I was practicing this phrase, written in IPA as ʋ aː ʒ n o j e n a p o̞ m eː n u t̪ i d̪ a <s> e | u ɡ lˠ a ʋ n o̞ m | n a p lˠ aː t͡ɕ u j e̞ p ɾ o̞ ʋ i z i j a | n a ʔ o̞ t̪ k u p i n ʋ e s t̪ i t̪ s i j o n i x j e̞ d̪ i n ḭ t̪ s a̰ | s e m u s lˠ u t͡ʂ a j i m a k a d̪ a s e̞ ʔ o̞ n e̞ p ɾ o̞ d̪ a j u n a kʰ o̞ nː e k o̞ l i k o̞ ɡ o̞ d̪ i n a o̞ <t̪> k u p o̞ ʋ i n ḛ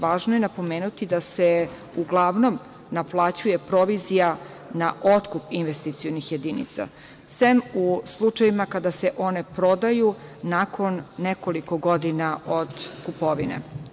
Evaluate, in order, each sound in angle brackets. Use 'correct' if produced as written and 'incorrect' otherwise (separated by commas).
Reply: correct, incorrect